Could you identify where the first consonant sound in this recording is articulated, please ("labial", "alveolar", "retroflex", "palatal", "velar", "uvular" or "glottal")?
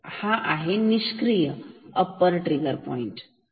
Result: glottal